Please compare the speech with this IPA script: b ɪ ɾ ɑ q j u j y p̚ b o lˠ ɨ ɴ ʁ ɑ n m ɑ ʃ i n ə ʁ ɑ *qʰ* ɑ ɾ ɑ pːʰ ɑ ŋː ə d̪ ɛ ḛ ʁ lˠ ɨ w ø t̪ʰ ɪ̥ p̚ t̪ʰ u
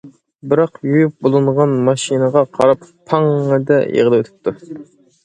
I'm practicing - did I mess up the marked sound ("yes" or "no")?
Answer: no